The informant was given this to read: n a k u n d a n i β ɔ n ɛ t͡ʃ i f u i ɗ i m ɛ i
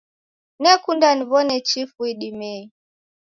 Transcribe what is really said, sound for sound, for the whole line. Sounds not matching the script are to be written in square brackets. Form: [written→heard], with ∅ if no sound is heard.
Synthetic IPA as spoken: n [a→ɛ] k u n d a n i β ɔ n ɛ t͡ʃ i f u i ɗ i m ɛ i